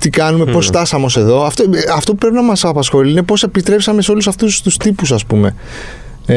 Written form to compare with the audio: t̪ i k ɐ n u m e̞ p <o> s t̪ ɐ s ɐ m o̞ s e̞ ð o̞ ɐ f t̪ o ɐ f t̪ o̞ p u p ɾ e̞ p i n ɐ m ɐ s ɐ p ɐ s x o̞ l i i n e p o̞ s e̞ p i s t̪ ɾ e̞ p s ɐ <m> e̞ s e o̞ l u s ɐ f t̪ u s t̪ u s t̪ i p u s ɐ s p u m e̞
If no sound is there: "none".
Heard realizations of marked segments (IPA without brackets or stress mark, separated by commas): o, m